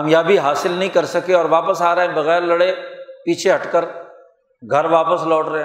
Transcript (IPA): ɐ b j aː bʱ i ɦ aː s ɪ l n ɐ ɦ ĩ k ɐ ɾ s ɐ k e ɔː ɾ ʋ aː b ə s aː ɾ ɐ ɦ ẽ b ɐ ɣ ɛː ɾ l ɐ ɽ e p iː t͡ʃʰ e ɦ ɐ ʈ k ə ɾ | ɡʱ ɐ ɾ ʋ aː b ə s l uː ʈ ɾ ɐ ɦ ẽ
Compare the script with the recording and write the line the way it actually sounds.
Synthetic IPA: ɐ m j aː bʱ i ɦ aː s ɪ l n ɐ ɦ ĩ k ɐ ɾ s ɐ k e ɔː ɾ ʋ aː p ə s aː ɾ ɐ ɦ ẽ b ɐ ɣ ɛː ɾ l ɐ ɽ e p iː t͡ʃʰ e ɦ ɐ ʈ k ə ɾ | ɡʱ ɐ ɾ ʋ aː p ə s l ɔː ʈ ɾ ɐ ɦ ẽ